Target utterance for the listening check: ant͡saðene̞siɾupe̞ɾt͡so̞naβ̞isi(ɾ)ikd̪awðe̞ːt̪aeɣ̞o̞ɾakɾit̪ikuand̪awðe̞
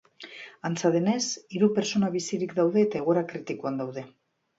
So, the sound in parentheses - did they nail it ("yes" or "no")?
yes